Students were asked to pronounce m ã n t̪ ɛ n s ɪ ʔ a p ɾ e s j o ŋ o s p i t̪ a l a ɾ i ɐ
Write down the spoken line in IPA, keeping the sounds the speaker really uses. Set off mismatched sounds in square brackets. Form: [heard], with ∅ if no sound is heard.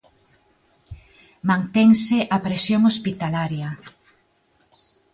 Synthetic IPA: m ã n t̪ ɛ [ŋ] s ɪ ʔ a p ɾ e s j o ŋ o s p i t̪ a l a ɾ [j] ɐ